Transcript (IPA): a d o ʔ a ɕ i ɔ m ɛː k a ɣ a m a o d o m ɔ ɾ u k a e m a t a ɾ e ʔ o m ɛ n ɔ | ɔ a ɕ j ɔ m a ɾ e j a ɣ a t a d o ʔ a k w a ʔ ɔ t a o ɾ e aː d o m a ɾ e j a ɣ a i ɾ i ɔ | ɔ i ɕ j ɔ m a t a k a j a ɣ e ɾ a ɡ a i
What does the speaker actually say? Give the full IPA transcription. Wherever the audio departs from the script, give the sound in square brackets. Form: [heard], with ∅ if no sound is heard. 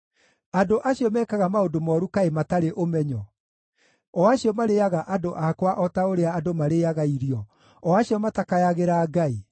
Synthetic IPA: a d o ʔ a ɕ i ɔ m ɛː k a ɣ a m a o d o m ɔ ɾ u k a e m a t a ɾ e ʔ o m ɛ [ɲ] ɔ | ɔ a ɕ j ɔ m a ɾ e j a ɣ a [ʔ] a d o ʔ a k w a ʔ ɔ t a o ɾ e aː d o m a ɾ e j a ɣ a i ɾ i ɔ | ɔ [a] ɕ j ɔ m a t a k a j a ɣ e ɾ a ɡ a i